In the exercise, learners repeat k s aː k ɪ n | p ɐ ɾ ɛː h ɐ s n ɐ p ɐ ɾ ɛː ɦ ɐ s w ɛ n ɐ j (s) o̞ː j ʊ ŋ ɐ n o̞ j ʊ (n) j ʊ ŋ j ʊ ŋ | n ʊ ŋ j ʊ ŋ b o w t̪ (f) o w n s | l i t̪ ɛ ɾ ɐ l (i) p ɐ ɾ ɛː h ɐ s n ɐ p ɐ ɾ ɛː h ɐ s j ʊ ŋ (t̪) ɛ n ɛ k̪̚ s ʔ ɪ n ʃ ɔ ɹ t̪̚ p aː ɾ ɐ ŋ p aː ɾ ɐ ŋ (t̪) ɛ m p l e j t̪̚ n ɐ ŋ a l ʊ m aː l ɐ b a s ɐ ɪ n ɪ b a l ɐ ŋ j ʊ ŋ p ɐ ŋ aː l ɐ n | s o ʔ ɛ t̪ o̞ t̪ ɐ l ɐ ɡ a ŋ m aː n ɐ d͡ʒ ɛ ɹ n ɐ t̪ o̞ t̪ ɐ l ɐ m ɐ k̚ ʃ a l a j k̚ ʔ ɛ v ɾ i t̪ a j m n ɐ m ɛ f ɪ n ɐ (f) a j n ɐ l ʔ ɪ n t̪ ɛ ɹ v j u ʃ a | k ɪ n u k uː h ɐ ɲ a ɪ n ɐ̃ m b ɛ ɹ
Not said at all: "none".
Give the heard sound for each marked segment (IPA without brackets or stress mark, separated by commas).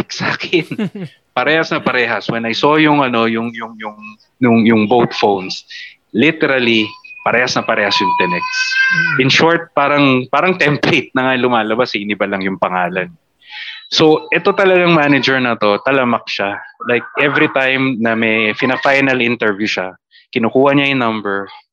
s, ŋ, f, i, t̪, t̪, f